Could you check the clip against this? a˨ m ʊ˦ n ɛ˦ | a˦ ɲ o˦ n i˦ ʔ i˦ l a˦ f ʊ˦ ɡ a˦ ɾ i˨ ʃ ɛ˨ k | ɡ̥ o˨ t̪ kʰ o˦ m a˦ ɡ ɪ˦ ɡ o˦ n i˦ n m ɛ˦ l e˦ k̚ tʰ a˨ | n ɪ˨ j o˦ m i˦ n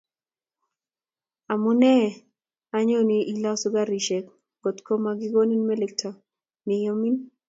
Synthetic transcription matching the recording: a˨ m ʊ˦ n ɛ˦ | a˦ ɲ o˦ n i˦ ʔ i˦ l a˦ s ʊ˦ ɡ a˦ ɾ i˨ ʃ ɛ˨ k | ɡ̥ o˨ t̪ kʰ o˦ m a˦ ɡ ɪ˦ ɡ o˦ n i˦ n m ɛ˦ l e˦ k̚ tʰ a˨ | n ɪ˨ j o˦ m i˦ n